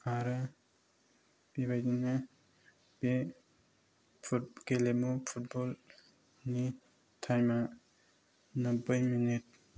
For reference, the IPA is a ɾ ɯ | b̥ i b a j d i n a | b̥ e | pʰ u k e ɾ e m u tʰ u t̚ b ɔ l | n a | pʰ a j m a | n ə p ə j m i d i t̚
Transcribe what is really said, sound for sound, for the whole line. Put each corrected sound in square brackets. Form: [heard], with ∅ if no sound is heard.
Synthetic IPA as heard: a ɾ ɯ | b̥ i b a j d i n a | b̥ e | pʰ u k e [l] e m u [pʰ] u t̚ b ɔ l | n [i] | [tʰ] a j m a | n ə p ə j m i [n] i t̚

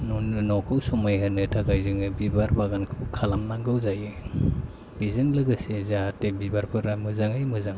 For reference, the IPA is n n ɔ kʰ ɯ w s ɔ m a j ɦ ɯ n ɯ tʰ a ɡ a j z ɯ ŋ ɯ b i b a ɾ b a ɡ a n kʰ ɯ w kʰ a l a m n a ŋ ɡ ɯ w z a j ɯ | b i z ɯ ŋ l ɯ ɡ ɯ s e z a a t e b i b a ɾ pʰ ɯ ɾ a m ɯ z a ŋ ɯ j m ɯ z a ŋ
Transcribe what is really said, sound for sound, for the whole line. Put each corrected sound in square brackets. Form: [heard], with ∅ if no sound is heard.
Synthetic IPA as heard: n n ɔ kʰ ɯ w s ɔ m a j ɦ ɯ n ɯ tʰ a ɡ a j z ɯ ŋ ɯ b i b a ɾ b a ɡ a n kʰ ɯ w kʰ a l a m n a ŋ ɡ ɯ w z a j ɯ | b i z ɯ ŋ l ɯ ɡ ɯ s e z a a t e b i b a ɾ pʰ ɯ ɾ a m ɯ z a ŋ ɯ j m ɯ z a ŋ

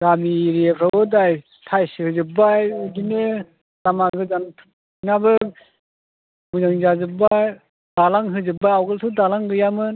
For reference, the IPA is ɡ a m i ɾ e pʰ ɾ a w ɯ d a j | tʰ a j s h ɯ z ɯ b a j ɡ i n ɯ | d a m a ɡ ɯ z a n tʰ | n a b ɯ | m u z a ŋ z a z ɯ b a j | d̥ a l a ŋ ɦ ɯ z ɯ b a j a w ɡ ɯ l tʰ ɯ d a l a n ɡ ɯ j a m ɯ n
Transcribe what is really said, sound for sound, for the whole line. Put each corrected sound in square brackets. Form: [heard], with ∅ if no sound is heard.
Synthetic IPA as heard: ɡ a m i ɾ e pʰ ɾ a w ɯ d a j | tʰ a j s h ɯ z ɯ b a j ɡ i n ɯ | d a m a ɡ ɯ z a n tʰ | n a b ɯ | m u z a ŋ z a z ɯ b a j | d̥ a l a ŋ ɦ ɯ z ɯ b a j a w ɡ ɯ l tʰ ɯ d a l a [ŋ] ɡ ɯ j a m ɯ n

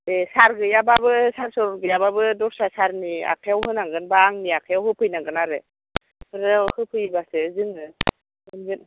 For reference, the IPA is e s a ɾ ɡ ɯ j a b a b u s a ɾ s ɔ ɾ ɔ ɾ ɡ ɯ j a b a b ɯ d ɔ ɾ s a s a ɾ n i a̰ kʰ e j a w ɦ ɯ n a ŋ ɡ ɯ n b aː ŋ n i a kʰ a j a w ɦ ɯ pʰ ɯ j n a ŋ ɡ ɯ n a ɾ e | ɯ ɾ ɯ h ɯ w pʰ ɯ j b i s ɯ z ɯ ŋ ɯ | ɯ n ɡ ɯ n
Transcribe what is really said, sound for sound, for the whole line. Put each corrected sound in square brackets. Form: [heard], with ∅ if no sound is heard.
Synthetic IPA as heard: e s a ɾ ɡ ɯ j a b a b [ɯ] s a ɾ s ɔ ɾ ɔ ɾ ɡ ɯ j a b a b ɯ d ɔ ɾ s a s a ɾ n i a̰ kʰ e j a w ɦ ɯ n a ŋ ɡ ɯ n b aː ŋ n i a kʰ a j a w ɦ ɯ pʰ ɯ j n a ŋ ɡ ɯ n a ɾ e | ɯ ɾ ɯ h ɯ [∅] pʰ ɯ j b [a] s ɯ z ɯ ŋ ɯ | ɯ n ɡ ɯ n

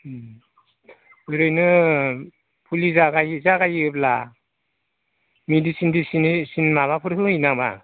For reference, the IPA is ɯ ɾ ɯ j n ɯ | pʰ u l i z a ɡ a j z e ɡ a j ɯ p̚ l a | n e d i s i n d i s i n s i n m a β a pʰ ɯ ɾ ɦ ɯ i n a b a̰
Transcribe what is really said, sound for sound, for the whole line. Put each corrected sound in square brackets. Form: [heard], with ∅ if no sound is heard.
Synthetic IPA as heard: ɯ ɾ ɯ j n ɯ | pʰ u l i z a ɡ a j z [a] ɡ a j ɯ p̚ l a | [m] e d i s i n d i s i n s i n m a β a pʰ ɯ ɾ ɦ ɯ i n a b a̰

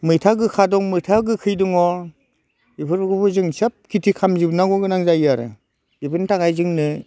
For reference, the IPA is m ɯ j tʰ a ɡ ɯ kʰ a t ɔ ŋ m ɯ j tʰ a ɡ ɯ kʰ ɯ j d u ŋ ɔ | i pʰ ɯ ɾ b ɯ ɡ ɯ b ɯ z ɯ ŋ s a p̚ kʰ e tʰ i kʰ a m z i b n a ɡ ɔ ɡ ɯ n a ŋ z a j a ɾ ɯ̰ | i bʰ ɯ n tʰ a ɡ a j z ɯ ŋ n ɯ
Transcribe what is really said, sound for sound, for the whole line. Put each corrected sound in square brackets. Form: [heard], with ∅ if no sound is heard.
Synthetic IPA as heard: m ɯ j tʰ a ɡ ɯ kʰ a [d] ɔ ŋ m ɯ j tʰ a ɡ ɯ kʰ ɯ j d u ŋ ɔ | i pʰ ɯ ɾ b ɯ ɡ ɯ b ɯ z ɯ ŋ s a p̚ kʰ [i] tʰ i kʰ a m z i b n a ɡ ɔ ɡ ɯ n a ŋ z a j a ɾ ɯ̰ | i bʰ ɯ n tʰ a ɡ a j z ɯ ŋ n ɯ

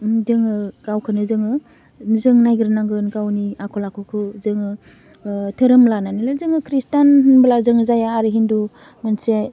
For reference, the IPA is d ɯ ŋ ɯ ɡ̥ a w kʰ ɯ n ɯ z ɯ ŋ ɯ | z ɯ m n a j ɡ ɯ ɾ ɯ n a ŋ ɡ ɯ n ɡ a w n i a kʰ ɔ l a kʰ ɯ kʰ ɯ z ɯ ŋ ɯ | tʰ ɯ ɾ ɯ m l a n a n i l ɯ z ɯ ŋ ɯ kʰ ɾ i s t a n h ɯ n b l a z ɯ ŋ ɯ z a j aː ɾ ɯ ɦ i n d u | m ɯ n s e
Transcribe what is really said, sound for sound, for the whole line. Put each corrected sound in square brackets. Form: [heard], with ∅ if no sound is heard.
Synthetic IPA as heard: d ɯ ŋ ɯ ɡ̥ a w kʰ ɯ n ɯ z ɯ ŋ ɯ | z ɯ [ŋ] n a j ɡ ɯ ɾ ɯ n a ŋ ɡ ɯ n ɡ a w n i a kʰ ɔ l a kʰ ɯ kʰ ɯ z ɯ ŋ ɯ | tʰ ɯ ɾ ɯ m l a n a n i l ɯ z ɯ ŋ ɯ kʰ ɾ i s t a n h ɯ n b l a z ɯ ŋ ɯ z a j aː ɾ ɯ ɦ i n d u | m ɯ n s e

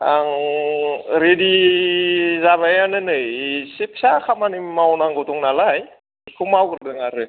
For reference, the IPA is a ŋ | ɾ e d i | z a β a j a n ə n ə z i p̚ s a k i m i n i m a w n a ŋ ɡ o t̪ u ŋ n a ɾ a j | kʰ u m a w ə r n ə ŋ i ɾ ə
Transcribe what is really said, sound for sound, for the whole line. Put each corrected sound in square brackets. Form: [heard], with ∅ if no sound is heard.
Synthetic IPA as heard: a ŋ | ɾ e d i | z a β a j a n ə n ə [s] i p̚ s a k [a] m [a] n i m a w n a ŋ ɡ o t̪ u ŋ n a [l] a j | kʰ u m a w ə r [d] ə ŋ [a] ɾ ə

